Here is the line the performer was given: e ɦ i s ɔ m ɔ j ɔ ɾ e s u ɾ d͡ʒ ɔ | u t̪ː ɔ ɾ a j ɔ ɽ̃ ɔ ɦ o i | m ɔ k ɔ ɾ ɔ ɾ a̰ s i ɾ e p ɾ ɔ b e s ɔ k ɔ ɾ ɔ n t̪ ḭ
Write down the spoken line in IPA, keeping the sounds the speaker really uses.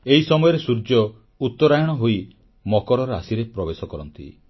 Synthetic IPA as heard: e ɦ i s ɔ m ɔ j ɔ ɾ e s u ɾ d͡ʒ ɔ | u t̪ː ɔ ɾ a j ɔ ɽ̃ ɔ ɦ o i | m ɔ k ɔ ɾ ɔ ɾ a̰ s i ɾ e p ɾ ɔ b e s ɔ k ɔ ɾ ɔ n t̪ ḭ